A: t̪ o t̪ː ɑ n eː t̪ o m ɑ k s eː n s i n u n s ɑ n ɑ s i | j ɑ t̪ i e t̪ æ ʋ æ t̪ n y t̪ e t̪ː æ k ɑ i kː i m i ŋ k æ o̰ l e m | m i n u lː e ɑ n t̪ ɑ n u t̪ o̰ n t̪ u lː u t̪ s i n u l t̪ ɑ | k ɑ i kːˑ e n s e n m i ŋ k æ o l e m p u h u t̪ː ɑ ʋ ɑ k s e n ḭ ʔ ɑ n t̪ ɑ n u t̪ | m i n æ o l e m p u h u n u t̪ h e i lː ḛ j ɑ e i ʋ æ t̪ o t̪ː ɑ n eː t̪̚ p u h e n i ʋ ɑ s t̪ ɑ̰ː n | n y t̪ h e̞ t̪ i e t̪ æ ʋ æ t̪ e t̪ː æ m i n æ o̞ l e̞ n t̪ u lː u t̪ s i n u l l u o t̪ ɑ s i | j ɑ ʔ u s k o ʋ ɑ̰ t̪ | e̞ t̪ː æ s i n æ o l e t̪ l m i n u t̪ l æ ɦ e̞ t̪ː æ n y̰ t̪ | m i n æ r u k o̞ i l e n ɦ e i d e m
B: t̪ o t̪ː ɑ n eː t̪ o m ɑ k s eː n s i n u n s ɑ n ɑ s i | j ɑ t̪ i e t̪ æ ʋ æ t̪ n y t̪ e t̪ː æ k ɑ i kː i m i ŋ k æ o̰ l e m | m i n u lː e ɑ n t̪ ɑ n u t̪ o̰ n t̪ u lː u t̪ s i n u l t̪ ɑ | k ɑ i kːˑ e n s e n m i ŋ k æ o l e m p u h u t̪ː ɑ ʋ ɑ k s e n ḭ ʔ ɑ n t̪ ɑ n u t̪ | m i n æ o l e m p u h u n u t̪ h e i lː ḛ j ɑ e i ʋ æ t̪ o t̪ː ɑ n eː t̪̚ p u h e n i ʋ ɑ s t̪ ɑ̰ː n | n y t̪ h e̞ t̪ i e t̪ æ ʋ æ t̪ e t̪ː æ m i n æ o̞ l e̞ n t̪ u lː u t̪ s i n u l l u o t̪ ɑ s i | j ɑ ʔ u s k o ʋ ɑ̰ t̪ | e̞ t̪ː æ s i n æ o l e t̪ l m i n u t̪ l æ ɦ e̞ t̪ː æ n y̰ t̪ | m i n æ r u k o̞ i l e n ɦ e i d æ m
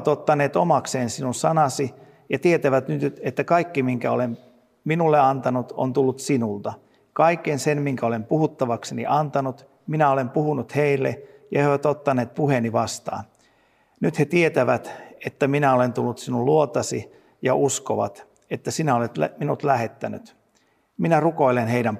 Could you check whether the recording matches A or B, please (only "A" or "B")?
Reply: B